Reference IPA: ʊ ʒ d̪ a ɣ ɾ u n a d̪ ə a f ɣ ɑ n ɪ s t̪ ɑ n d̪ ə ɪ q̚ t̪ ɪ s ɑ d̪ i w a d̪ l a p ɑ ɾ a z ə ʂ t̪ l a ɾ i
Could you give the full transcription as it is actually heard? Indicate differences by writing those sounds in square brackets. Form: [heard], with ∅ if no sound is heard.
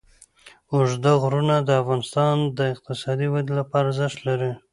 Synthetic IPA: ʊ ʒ d̪ a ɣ ɾ u n a d̪ ə a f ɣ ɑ n ɪ s t̪ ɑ n d̪ ə ɪ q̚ t̪ ɪ s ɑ d̪ i w a d̪ l a p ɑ ɾ a z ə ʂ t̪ l a ɾ i